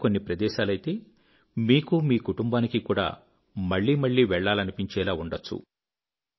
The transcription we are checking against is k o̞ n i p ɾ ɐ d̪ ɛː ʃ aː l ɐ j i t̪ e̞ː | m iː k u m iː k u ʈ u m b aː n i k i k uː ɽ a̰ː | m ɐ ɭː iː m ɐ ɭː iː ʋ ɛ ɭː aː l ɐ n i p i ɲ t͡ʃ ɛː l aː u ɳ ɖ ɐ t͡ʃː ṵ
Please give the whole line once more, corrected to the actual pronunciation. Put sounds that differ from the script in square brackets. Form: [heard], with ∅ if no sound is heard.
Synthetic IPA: k o̞ [nː] i p ɾ ɐ d̪ ɛː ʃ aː l ɐ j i t̪ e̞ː | m iː k u m iː k u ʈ u m b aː n i k i k uː ɽ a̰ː | m ɐ ɭː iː m ɐ ɭː iː ʋ ɛ ɭː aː l ɐ n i p i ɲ t͡ʃ ɛː l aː u ɳ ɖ ɐ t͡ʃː ṵ